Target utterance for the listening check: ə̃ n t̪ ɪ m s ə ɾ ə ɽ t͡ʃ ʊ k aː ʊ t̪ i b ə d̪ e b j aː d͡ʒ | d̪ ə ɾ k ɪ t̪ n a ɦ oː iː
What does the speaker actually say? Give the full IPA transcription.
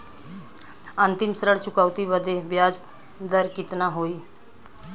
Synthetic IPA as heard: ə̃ n t̪ ɪ m s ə ɾ ə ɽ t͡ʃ ʊ k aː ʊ t̪ i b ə d̪ e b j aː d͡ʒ | d̪ ə ɾ k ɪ t̪ n a ɦ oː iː